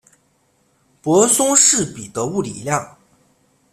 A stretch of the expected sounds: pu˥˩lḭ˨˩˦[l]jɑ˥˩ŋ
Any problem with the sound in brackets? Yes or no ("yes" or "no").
no